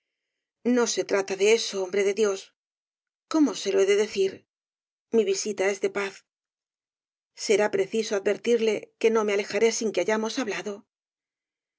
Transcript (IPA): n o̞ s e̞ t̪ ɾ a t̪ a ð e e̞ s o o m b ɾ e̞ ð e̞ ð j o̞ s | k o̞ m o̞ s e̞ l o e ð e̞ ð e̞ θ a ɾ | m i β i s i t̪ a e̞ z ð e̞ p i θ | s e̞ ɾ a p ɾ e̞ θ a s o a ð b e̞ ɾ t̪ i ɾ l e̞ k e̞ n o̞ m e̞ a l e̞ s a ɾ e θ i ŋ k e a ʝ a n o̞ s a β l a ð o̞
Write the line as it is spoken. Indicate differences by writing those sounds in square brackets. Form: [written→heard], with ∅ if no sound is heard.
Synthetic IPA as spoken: n o̞ s e̞ t̪ ɾ a t̪ a ð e e̞ s o o m b ɾ e̞ ð e̞ ð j o̞ s | k o̞ m o̞ s e̞ l o e ð e̞ ð e̞ θ [a→i] ɾ | m i β i s i t̪ a e̞ z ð e̞ p [i→a] θ | s e̞ ɾ a p ɾ e̞ θ [a→i] s o a ð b e̞ ɾ t̪ i ɾ l e̞ k e̞ n o̞ m e̞ a l e̞ [s→x] a ɾ e [θ→s] i ŋ k e a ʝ a [n→m] o̞ s a β l a ð o̞